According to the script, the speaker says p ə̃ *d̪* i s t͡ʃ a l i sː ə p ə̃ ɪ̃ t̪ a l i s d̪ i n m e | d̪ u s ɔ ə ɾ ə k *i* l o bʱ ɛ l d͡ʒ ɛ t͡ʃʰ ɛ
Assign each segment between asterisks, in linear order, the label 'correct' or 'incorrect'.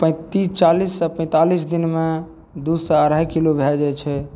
incorrect: t̪, correct

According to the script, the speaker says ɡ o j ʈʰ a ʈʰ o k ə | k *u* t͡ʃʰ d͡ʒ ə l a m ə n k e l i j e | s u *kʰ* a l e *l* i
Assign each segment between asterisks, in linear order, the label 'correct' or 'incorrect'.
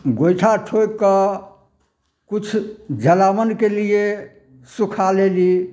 correct, correct, correct

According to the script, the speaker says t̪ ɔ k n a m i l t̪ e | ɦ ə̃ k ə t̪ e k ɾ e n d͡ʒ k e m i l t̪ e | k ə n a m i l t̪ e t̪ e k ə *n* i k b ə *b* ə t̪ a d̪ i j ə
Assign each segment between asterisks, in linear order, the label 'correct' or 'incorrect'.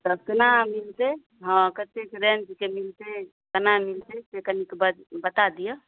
correct, correct

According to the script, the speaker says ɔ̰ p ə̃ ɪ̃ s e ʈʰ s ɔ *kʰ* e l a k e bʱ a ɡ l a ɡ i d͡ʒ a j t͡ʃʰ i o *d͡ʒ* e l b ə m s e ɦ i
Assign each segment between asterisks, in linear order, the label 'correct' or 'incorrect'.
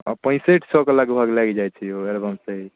incorrect: k, incorrect: none

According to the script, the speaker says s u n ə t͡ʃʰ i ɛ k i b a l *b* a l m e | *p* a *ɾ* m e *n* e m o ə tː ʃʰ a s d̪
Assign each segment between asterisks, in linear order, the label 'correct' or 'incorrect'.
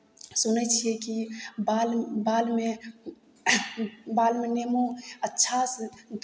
correct, incorrect: b, incorrect: l, correct

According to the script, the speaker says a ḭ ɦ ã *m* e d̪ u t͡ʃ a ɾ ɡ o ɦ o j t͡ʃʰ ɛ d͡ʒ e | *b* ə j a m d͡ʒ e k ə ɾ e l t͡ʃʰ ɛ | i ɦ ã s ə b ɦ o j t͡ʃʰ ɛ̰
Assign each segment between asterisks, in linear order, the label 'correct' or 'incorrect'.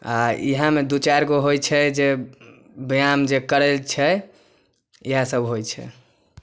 correct, correct

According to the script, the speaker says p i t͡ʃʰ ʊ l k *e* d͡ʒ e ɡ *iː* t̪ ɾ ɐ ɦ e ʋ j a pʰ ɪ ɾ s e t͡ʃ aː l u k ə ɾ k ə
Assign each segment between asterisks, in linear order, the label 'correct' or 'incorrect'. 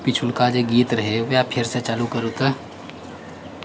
incorrect: a, correct

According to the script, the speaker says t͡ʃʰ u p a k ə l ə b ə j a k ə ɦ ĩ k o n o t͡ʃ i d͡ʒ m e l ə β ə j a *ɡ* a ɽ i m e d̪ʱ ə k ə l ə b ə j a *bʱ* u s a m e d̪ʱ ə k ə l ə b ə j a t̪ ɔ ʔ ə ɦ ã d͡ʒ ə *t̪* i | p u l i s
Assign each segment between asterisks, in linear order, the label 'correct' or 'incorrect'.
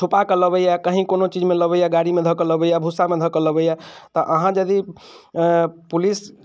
correct, correct, incorrect: d̪

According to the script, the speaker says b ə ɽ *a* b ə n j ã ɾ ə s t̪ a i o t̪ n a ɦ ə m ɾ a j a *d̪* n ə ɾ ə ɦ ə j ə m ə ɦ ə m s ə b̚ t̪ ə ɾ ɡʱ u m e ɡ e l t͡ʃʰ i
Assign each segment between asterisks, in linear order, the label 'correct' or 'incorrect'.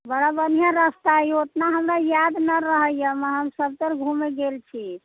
correct, correct

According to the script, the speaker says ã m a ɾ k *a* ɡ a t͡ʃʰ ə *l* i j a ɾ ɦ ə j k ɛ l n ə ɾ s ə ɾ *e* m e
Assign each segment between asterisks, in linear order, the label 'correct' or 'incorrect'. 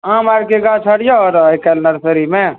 incorrect: e, incorrect: ɽ, incorrect: i

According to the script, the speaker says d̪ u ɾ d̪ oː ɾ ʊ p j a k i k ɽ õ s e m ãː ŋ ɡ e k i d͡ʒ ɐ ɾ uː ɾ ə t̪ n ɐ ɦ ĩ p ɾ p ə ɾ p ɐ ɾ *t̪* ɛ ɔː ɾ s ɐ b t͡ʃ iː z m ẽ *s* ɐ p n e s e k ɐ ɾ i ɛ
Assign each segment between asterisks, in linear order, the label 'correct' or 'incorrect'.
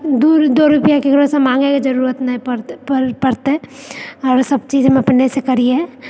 correct, incorrect: none

